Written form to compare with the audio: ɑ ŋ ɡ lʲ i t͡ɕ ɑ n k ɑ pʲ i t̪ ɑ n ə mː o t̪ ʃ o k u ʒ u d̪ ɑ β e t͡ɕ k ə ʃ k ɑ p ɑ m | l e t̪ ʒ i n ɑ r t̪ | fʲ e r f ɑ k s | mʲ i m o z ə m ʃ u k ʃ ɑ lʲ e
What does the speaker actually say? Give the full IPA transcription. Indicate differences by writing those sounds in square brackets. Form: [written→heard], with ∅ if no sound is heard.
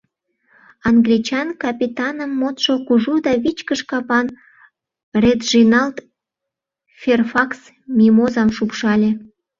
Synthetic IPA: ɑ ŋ ɡ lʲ i t͡ɕ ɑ n k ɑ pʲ i t̪ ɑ n ə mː o t̪ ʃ o k u ʒ u d̪ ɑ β [e→i] t͡ɕ k ə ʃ k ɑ p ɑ [m→n] | [l→r] e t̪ ʒ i n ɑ [r→l] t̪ | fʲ e r f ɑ k s | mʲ i m o z [ə→ɑ] m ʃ u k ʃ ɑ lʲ e